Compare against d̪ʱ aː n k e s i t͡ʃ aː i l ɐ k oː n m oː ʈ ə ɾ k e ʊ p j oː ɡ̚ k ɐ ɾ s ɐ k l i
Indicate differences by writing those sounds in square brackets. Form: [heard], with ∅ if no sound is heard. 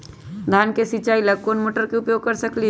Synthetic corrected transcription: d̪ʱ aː n k e s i t͡ʃ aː i l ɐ k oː n m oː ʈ ə ɾ k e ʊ p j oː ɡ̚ k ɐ ɾ s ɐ k l i

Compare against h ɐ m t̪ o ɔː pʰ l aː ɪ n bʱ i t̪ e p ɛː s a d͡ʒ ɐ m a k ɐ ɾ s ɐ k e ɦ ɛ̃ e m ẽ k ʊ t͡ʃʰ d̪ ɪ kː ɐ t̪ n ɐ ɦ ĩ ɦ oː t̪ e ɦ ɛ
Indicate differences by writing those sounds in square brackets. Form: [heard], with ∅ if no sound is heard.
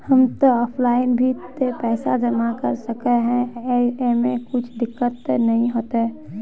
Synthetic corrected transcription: h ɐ m t̪ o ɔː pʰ l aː ɪ n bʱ i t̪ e p ɛː s a d͡ʒ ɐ m a k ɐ ɾ s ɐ k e ɦ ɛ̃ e m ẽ k ʊ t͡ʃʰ d̪ ɪ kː [ə] t̪ n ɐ ɦ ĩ ɦ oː t̪ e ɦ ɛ

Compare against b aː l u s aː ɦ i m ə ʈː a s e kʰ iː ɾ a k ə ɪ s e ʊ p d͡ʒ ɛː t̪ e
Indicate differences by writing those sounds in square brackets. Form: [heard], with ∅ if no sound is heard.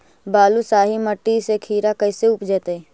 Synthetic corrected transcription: b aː l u s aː ɦ i m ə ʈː [i] s e kʰ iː ɾ a k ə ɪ s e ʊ p d͡ʒ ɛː t̪ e

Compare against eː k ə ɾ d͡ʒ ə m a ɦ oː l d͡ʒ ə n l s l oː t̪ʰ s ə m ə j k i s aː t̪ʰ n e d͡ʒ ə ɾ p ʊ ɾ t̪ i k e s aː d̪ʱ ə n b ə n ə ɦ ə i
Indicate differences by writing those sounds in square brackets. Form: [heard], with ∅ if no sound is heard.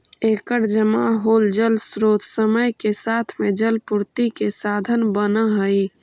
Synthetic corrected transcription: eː k ə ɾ d͡ʒ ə m a ɦ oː l d͡ʒ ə [∅] l s [ɾ] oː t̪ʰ s ə m ə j k [e] s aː t̪ʰ [m] e d͡ʒ ə [l] p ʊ ɾ t̪ i k e s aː d̪ʱ ə n b ə n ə ɦ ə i

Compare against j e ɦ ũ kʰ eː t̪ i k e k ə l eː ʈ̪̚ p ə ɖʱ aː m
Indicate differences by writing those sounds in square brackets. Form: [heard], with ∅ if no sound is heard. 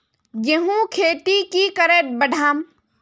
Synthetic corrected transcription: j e ɦ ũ kʰ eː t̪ i k [i] k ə [ɾ] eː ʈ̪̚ [b] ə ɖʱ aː m

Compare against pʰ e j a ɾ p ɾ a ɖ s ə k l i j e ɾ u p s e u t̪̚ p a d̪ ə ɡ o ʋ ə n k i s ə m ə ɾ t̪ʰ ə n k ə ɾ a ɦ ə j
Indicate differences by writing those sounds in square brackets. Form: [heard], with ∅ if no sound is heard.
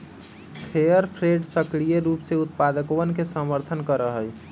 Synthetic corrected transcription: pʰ e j [ə] ɾ [pʰ] ɾ [e] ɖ s ə k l i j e ɾ u p s e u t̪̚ p a d̪ ə [k] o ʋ ə n k [e] s ə m ə ɾ t̪ʰ ə n k ə ɾ [ə] ɦ ə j

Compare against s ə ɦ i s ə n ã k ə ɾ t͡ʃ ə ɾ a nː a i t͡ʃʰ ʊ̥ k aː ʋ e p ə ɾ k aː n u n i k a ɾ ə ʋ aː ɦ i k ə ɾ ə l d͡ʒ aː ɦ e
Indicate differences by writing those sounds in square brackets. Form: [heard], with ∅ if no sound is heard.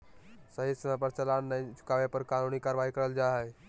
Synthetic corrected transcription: s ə ɦ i s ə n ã [p] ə ɾ t͡ʃ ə [l] a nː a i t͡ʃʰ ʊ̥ k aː ʋ e p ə ɾ k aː n u n i k a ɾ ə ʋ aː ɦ i k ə ɾ ə l d͡ʒ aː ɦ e

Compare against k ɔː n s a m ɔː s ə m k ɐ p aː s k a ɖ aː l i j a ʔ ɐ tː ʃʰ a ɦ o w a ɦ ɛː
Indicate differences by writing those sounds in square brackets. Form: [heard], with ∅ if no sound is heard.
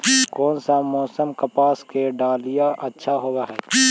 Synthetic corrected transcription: k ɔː n s a m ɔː s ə m k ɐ p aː s k [e] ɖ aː l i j a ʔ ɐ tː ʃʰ a ɦ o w a ɦ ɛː

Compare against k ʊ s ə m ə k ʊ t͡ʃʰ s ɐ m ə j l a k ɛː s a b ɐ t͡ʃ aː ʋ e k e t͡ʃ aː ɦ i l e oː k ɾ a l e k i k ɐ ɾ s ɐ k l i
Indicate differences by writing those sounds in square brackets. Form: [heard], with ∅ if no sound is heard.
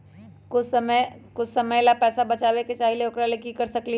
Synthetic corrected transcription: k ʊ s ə m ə k ʊ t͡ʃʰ s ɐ m ə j l a [p] ɛː s a b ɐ t͡ʃ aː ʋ e k e t͡ʃ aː ɦ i l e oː k ɾ a l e k i k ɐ ɾ s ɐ k l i

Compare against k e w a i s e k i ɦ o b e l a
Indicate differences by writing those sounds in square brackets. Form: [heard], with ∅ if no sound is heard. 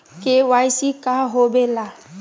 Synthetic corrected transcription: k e w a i s [i] k [a] ɦ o b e l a

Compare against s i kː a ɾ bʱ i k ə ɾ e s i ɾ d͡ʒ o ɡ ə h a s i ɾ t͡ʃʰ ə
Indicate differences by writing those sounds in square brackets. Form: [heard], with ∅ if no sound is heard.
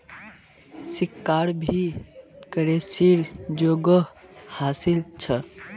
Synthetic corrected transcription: s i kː a ɾ bʱ i k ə ɾ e s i ɾ d͡ʒ o ɡ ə h a s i [l] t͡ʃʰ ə

